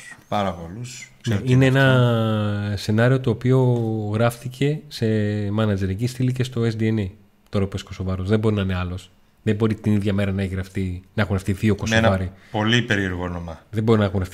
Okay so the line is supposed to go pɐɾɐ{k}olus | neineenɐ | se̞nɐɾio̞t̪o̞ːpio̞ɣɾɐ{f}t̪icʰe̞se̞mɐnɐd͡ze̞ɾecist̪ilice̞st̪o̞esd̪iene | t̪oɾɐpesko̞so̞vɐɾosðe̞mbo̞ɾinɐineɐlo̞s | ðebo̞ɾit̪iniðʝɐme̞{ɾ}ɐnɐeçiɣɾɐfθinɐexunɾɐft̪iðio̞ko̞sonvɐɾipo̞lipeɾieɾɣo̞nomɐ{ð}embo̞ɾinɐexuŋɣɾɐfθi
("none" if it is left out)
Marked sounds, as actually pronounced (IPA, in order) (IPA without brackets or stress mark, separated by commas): p, f, ɾ, ð